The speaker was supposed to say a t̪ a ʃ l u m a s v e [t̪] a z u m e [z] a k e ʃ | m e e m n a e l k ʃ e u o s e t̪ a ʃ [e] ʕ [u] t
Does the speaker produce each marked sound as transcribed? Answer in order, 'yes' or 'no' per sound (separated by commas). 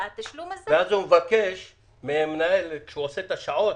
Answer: no, no, no, no